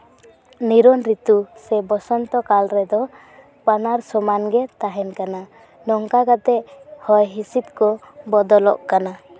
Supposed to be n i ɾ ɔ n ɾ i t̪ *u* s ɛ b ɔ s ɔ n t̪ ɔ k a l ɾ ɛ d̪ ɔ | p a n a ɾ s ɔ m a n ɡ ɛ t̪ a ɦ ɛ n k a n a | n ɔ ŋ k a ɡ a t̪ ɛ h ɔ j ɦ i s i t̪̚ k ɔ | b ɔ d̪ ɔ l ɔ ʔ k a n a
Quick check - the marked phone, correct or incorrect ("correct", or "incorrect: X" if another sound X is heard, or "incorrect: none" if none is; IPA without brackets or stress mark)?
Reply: correct